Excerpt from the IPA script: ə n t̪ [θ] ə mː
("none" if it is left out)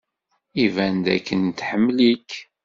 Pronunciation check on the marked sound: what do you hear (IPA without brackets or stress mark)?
ħ